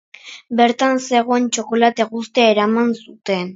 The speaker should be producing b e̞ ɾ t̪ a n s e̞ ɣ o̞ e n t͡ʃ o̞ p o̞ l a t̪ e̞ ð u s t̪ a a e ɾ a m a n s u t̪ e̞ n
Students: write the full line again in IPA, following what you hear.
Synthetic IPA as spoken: b e̞ ɾ t̪ a n s e̞ ɣ o̞ e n t͡ʃ o̞ k o̞ l a t̪ e̞ ɣ u s t̪ e a e ɾ a m a n s u t̪ e̞ n